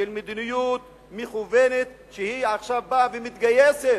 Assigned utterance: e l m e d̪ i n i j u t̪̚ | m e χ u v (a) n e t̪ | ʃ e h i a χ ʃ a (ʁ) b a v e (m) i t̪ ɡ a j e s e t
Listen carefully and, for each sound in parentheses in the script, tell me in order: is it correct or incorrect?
incorrect: e, incorrect: v, correct

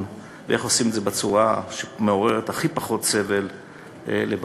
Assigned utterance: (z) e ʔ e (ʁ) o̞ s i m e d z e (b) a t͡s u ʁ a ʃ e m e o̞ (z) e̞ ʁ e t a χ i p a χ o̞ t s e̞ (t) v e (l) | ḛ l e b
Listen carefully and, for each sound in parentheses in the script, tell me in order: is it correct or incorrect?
incorrect: v, incorrect: χ, correct, incorrect: ʁ, incorrect: none, correct

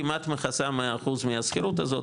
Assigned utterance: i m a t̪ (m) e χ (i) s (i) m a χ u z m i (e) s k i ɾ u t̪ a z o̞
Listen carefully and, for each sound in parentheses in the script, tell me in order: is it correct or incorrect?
correct, incorrect: a, incorrect: a, incorrect: a

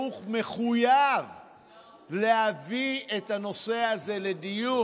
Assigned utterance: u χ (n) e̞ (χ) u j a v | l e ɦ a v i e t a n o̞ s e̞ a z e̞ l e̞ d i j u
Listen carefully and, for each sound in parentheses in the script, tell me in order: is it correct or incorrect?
incorrect: m, correct

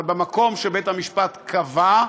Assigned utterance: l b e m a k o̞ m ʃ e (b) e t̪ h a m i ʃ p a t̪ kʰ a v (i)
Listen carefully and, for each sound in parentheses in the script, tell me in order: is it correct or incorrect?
correct, incorrect: a

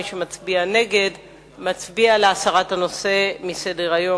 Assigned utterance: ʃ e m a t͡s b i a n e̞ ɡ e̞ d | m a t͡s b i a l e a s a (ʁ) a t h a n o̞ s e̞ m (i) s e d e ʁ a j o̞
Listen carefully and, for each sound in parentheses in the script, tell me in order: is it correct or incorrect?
correct, correct

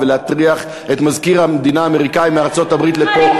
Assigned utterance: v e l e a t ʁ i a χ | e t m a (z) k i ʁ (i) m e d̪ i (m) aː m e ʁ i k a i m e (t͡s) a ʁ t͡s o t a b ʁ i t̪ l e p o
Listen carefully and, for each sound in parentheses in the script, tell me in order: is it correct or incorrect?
correct, incorrect: a, incorrect: n, incorrect: none

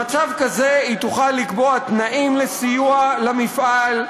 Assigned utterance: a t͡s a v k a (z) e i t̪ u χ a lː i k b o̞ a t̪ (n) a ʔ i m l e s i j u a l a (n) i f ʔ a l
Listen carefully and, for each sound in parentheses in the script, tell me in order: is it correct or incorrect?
correct, correct, incorrect: m

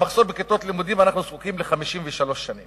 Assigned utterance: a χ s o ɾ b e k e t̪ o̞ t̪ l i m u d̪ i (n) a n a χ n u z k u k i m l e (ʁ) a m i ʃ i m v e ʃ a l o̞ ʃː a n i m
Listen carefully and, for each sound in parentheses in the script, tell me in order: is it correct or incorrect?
incorrect: m, incorrect: χ

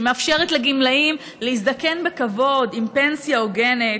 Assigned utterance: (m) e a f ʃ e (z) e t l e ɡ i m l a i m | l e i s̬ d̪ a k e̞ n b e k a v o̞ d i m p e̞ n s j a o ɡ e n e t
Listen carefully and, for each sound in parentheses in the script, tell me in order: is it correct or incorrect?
correct, incorrect: ʁ

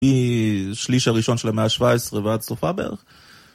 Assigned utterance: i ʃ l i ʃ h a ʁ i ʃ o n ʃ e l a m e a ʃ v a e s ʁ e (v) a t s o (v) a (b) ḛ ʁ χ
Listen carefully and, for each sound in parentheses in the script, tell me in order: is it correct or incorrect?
correct, incorrect: f, correct

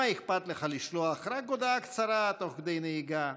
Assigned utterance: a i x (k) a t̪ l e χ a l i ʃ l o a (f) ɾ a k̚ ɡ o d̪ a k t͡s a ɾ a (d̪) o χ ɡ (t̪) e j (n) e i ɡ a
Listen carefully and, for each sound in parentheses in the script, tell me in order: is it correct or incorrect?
incorrect: p, incorrect: χ, incorrect: t̪, incorrect: d̪, correct

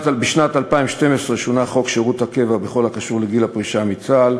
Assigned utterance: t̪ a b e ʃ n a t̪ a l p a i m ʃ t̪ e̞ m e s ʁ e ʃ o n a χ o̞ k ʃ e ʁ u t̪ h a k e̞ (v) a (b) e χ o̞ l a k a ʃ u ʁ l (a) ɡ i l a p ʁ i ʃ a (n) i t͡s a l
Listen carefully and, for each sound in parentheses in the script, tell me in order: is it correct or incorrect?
correct, correct, incorrect: e, incorrect: m

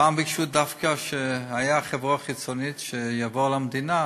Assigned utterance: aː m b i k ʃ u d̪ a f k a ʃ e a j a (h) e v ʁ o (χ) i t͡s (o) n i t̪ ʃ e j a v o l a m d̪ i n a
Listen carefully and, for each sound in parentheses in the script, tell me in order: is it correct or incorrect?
incorrect: χ, correct, correct

